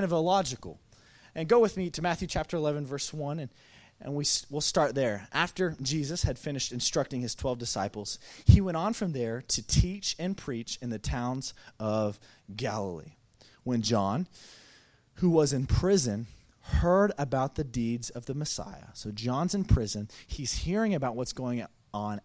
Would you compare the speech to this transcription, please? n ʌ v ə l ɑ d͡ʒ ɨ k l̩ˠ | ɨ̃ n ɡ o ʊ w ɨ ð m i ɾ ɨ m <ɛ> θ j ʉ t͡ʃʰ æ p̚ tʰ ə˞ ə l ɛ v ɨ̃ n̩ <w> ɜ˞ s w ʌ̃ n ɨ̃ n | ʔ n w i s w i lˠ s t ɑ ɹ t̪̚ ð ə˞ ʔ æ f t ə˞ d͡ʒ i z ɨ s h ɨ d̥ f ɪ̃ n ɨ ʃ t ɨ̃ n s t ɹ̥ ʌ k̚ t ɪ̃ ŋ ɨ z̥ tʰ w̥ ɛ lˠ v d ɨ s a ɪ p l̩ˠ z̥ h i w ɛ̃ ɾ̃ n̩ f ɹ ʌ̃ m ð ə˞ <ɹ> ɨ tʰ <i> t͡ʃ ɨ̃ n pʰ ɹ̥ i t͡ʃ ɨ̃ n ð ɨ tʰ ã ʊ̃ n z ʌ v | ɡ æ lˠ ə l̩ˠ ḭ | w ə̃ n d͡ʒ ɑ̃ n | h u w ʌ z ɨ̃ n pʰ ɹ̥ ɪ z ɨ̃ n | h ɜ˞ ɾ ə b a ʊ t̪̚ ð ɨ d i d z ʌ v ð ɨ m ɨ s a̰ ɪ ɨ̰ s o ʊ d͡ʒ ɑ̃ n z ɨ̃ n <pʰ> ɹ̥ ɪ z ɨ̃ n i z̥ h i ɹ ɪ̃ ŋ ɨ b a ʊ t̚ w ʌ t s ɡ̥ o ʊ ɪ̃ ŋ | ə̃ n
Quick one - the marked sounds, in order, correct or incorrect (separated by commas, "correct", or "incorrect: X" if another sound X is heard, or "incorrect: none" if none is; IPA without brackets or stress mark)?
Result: incorrect: æ, incorrect: v, incorrect: ɾ, correct, correct